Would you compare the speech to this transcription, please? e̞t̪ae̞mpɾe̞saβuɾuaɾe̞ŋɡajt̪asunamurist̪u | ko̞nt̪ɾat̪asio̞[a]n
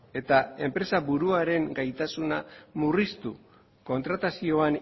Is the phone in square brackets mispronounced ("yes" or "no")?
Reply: no